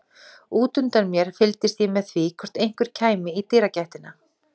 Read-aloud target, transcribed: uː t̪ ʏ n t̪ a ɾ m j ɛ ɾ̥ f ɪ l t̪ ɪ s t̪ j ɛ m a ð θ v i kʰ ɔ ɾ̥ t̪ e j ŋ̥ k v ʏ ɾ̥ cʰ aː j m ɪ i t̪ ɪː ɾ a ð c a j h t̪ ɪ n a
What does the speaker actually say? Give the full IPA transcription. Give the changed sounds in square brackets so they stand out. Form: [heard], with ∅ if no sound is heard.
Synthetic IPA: uː t̪ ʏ n t̪ a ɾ m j ɛ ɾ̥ f ɪ l t̪ ɪ s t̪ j ɛ m [ɛ] ð θ v i kʰ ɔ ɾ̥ t̪ e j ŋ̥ k v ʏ ɾ̥ cʰ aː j m ɪ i t̪ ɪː ɾ a [∅] c a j h t̪ ɪ n a